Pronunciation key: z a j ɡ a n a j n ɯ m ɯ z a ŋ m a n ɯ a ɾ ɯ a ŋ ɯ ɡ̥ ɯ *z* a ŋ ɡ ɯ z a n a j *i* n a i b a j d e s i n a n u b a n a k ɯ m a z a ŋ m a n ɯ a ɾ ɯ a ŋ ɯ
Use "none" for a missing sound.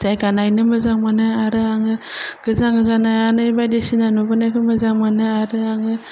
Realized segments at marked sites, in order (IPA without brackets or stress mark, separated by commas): z, a